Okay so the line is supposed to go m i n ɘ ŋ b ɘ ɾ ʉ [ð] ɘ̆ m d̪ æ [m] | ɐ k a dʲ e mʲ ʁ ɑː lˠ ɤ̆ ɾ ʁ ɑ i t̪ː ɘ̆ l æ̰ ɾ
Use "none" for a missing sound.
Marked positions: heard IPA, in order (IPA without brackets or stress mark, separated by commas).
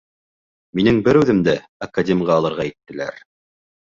ð, none